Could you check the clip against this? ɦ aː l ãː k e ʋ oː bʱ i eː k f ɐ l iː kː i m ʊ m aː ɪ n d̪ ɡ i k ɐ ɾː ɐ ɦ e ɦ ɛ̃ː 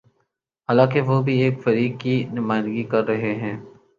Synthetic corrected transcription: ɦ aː l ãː k e ʋ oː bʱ i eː k f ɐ ɾ iː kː i n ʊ m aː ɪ n d̪ ɡ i k ɐ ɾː ɐ ɦ e ɦ ɛ̃ː